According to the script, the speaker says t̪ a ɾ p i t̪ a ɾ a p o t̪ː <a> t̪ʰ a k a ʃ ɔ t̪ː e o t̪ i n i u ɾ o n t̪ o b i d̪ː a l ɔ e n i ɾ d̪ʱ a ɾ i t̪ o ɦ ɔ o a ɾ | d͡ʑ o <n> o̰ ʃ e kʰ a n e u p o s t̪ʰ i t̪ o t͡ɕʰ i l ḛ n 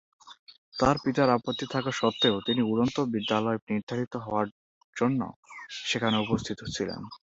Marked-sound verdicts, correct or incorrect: incorrect: i, incorrect: nː

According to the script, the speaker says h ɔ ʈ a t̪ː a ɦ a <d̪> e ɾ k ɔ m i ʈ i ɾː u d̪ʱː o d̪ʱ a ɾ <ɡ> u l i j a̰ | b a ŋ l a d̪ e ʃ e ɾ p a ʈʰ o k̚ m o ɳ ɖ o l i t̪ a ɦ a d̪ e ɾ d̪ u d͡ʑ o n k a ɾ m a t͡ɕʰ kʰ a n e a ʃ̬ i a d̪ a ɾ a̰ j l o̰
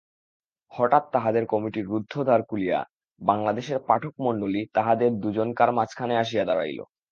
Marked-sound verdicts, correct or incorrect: correct, incorrect: k

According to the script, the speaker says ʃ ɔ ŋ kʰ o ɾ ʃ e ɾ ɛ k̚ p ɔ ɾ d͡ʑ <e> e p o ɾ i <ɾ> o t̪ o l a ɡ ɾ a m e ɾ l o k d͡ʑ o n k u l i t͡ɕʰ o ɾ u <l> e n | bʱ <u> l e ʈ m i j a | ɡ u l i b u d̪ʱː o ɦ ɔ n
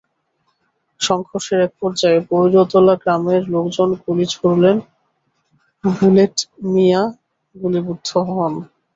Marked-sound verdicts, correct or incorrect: incorrect: a, correct, correct, correct

